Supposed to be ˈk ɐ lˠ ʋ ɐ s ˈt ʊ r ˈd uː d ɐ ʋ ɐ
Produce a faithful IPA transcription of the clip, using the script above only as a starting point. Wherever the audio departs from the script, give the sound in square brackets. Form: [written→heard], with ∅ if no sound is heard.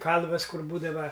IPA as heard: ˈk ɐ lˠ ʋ ɐ s [ˈt→ˈk] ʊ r [ˈd→ˈb] uː d ɐ ʋ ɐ

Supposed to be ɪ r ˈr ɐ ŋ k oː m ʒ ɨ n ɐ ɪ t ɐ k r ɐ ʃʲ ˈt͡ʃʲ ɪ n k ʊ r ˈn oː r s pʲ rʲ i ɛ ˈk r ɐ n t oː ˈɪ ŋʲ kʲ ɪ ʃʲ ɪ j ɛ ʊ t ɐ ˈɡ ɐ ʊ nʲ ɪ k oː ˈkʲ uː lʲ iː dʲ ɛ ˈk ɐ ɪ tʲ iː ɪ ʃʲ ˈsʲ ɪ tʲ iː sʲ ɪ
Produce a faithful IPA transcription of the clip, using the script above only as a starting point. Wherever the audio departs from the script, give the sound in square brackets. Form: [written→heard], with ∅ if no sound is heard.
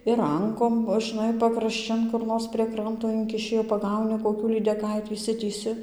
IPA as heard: ɪ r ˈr ɐ ŋ k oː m ʒ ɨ n ɐ ɪ [t→p] ɐ k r ɐ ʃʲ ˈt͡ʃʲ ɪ n k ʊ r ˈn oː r s pʲ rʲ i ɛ ˈk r ɐ n t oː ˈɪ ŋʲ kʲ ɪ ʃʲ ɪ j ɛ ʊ [t→p] ɐ ˈɡ ɐ ʊ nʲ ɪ k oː ˈkʲ uː lʲ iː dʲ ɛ ˈk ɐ ɪ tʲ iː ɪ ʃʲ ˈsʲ ɪ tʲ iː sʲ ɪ

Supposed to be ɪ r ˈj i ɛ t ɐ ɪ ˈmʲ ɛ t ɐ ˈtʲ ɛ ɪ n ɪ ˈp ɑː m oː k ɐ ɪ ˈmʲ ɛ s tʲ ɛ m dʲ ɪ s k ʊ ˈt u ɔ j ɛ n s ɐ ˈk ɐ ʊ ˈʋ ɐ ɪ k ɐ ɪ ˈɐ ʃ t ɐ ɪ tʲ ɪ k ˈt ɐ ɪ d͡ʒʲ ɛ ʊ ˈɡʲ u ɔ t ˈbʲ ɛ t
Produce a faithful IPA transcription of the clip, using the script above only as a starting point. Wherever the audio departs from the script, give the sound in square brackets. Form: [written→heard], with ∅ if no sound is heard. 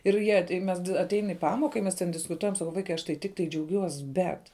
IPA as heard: ɪ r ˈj i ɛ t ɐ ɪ ˈmʲ ɛ [t→s] ɐ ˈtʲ ɛ ɪ n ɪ ˈp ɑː m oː k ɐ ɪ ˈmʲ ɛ s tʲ ɛ [m→n] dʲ ɪ s k ʊ ˈt u ɔ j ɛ [n→m] s ɐ ˈk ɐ ʊ ˈʋ ɐ ɪ k ɐ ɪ ˈɐ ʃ t ɐ ɪ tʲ ɪ k ˈt ɐ ɪ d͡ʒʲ ɛ ʊ ˈɡʲ u ɔ [t→s] ˈbʲ ɛ t

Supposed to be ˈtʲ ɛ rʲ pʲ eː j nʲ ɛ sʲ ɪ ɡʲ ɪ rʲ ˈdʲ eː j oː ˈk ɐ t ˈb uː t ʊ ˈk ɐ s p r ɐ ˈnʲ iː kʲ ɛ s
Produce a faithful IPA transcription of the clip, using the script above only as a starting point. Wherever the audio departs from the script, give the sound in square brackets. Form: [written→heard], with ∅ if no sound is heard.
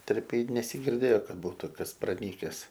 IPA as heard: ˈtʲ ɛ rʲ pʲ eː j nʲ ɛ sʲ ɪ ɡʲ ɪ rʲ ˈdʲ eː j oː ˈk ɐ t ˈb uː t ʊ ˈk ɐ s p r ɐ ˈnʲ iː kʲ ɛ s

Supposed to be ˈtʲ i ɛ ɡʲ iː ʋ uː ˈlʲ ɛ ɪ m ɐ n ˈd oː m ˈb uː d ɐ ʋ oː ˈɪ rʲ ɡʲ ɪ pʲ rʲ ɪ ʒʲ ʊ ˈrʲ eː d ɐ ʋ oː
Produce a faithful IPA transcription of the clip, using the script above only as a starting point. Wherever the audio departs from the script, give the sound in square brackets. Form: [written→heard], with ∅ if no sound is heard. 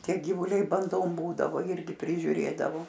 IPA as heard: ˈtʲ i ɛ ɡʲ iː ʋ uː ˈlʲ ɛ ɪ [m→b] ɐ n ˈd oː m ˈb uː d ɐ ʋ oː ˈɪ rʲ ɡʲ ɪ pʲ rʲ ɪ ʒʲ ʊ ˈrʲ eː d ɐ ʋ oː

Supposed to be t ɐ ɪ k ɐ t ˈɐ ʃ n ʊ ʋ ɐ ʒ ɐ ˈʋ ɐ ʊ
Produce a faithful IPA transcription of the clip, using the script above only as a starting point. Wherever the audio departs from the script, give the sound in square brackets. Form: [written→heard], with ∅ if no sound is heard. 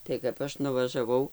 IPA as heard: t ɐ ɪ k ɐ [t→p] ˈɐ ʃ n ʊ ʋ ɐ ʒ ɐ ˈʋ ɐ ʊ

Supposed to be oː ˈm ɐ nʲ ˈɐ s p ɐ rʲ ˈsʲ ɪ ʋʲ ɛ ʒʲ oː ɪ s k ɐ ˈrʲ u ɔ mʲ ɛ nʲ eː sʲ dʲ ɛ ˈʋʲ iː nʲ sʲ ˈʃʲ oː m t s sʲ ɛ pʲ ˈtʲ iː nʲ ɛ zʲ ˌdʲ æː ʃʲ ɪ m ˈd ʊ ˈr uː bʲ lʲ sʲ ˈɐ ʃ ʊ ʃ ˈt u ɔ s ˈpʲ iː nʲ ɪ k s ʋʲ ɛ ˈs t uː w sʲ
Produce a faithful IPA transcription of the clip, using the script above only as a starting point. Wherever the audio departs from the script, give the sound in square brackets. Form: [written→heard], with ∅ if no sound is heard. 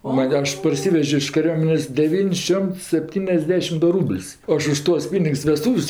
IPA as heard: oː ˈm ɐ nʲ ˈɐ [s→ʃ] p ɐ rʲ ˈsʲ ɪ ʋʲ ɛ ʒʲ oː ɪ [s→ʃ] k ɐ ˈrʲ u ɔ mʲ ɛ nʲ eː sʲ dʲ ɛ ˈʋʲ iː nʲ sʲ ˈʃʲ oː m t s sʲ ɛ pʲ ˈtʲ iː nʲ ɛ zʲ ˌdʲ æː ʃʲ ɪ m ˈd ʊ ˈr uː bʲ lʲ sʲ ˈɐ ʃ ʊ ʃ ˈt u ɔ s ˈpʲ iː nʲ ɪ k s ʋʲ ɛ ˈs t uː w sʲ

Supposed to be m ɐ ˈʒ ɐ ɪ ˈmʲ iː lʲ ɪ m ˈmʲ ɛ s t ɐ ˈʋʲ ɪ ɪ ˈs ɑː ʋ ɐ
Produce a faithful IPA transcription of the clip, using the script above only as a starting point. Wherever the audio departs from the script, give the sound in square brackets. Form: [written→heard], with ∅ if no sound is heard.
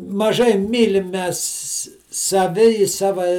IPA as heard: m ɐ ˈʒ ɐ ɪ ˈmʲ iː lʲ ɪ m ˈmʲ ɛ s [t→s] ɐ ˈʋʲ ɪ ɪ ˈs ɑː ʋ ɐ

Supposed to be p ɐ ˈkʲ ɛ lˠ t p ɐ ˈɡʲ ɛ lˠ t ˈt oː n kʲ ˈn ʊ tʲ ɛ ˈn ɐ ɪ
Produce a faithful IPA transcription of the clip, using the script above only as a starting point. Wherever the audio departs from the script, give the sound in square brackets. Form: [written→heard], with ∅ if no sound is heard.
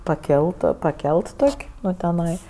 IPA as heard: p ɐ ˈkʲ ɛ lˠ t p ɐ [ˈɡʲ→ˈkʲ] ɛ lˠ t ˈt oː [n→∅] kʲ ˈn ʊ tʲ ɛ ˈn ɐ ɪ

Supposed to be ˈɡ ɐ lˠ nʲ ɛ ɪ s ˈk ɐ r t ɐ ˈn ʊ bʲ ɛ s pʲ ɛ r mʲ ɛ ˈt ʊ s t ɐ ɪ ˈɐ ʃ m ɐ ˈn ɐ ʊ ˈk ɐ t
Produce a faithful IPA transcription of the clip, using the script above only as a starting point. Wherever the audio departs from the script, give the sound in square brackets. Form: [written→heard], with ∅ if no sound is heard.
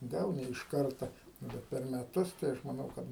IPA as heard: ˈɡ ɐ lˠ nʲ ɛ ɪ [s→ʃ] ˈk ɐ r t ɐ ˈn ʊ bʲ ɛ [s→t] pʲ ɛ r mʲ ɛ ˈt ʊ s t ɐ ɪ ˈɐ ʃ m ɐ ˈn ɐ ʊ ˈk ɐ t

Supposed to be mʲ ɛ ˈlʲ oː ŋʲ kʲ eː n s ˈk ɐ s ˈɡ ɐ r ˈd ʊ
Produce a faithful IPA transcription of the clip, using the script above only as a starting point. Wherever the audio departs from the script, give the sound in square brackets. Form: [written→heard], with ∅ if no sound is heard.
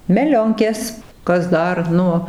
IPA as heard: mʲ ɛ ˈlʲ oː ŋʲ kʲ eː [n→∅] s ˈk ɐ s [ˈɡ→ˈd] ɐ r [ˈd→ˈn] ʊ

